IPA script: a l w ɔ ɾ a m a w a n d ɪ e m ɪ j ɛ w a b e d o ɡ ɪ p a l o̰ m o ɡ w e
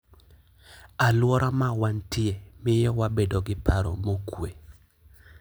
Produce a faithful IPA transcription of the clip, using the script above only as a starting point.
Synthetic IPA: a l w ɔ ɾ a m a w a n t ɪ e m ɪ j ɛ w a b e d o ɡ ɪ p a ɾ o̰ m o k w e